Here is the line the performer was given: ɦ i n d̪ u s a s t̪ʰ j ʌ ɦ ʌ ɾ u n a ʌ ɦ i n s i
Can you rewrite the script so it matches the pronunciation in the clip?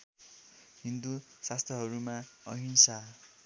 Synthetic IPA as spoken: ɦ i n d̪ u s a s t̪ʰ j ʌ ɦ ʌ ɾ u m a ʌ ɦ i n s a

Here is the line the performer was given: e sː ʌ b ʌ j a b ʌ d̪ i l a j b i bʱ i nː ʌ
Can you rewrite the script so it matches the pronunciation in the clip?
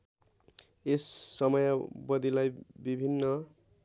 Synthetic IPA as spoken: e sː ʌ m ʌ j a b ʌ d̪ i l a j b i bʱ i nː ʌ

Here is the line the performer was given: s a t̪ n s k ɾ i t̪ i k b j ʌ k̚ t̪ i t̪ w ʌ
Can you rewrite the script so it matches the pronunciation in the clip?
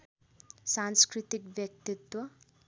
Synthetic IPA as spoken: s a n s k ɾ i t̪ i k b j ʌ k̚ t̪ i t̪ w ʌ

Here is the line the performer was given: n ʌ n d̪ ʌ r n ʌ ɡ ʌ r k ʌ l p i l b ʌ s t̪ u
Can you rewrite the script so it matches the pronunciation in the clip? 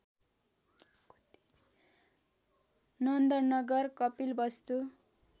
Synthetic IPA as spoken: n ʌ n d̪ ʌ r n ʌ ɡ ʌ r k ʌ p i l b ʌ s t̪ u

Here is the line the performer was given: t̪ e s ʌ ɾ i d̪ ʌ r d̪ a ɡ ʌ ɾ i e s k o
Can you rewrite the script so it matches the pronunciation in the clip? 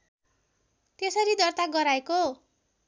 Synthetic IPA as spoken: t̪ e s ʌ ɾ i d̪ ʌ r t̪ a ɡ ʌ ɾ a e k o

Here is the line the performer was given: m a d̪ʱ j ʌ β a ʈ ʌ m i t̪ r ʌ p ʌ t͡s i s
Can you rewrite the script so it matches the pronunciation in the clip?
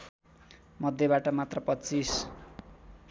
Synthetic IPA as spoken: m ʌ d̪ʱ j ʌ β a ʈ ʌ m a t̪ r ʌ p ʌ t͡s i s

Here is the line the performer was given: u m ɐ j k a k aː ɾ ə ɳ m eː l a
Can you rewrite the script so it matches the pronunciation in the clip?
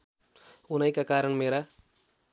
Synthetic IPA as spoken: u n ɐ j k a k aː ɾ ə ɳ m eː ɾ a

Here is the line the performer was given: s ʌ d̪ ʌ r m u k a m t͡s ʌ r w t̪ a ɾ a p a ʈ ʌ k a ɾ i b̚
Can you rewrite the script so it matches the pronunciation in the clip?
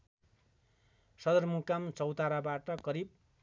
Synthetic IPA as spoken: s ʌ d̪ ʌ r m u k a m t͡s ʌ w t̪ a ɾ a b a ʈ ʌ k ʌ ɾ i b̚

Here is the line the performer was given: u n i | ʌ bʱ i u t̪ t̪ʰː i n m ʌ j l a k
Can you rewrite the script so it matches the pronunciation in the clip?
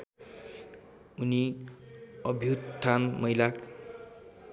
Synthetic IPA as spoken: u n i | ʌ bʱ j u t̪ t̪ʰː a n m ʌ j l a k

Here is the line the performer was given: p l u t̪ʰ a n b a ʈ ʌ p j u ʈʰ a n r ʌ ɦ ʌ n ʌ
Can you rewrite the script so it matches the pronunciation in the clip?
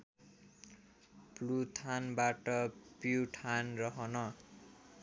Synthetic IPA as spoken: p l u t̪ʰ a n b a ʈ ʌ p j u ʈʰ a n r ʌ ɦ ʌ n ʌ

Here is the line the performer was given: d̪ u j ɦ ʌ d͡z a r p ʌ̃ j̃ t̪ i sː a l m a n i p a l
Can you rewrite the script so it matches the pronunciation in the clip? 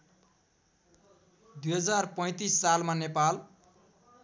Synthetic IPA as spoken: d̪ u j ɦ ʌ d͡z a r p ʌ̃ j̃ t̪ i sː a l m a n e p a l

